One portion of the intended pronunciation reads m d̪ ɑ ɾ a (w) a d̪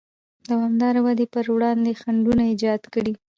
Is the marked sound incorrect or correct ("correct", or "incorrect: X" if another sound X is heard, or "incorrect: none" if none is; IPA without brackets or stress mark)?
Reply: correct